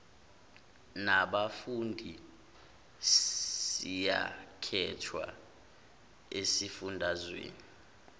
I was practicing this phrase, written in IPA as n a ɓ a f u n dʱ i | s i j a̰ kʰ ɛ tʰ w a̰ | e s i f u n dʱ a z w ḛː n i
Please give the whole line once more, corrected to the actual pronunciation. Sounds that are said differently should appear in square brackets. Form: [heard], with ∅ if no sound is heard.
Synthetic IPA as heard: n a ɓ a f u n dʱ i | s i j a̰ kʰ ɛ tʰ w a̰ | e s i f u n dʱ a z w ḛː n i